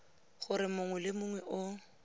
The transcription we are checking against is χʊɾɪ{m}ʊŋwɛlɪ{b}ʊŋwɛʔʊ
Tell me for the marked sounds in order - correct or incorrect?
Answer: correct, incorrect

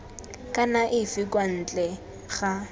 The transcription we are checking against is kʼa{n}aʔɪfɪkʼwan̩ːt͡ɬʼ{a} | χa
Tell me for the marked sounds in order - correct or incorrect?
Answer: correct, incorrect

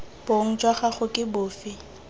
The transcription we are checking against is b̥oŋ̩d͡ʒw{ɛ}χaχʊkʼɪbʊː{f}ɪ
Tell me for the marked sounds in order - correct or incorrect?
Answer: incorrect, correct

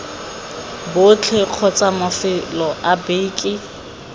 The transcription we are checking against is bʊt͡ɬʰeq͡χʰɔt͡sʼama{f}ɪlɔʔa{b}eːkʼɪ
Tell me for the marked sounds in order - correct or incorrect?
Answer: correct, correct

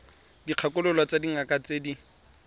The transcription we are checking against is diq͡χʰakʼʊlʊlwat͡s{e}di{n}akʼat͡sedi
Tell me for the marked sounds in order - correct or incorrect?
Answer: incorrect, incorrect

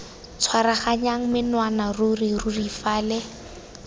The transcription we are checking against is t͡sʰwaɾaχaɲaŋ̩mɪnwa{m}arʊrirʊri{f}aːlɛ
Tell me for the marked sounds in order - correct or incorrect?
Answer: incorrect, correct

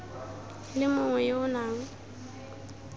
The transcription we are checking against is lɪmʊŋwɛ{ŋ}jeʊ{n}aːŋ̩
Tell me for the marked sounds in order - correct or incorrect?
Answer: incorrect, correct

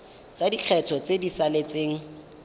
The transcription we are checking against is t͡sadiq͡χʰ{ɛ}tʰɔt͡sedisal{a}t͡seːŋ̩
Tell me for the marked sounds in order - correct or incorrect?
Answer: correct, incorrect

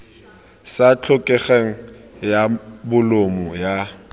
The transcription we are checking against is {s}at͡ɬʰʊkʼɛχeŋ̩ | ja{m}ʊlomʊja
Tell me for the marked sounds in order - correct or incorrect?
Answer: correct, incorrect

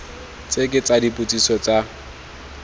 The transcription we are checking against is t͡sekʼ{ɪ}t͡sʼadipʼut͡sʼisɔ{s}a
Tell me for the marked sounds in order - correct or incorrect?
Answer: correct, incorrect

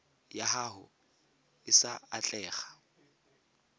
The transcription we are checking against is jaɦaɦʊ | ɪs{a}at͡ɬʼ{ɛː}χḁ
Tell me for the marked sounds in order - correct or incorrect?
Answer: correct, correct

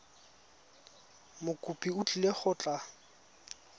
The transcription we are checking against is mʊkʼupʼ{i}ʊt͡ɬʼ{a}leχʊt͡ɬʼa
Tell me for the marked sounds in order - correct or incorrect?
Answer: correct, incorrect

